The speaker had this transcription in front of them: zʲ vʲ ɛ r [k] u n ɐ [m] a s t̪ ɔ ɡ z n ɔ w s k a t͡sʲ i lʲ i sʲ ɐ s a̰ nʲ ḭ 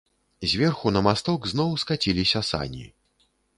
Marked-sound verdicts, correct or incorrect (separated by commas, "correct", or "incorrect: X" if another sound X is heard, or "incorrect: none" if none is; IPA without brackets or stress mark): incorrect: x, correct